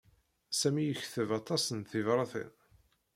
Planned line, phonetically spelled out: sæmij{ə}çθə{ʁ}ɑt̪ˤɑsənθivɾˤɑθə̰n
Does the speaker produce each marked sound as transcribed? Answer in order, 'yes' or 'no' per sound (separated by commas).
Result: yes, no